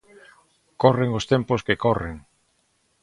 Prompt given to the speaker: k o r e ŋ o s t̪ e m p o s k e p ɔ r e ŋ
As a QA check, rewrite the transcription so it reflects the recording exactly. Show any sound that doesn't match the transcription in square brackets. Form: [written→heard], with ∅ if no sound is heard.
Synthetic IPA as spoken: k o r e ŋ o s t̪ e m p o s k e [p→k] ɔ r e ŋ